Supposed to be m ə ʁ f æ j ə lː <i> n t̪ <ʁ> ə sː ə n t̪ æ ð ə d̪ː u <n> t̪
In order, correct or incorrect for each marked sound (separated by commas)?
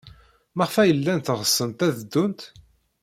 incorrect, correct, correct